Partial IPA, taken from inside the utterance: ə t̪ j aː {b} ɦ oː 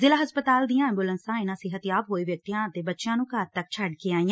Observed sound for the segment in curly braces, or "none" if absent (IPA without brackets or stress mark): b